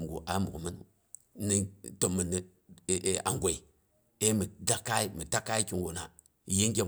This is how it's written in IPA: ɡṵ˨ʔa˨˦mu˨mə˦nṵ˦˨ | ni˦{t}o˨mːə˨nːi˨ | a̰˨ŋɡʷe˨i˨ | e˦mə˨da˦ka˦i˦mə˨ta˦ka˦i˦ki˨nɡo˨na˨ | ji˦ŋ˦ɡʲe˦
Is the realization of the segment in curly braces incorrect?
no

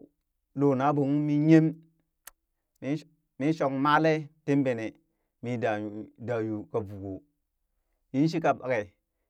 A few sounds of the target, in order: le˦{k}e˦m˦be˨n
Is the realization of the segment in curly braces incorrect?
yes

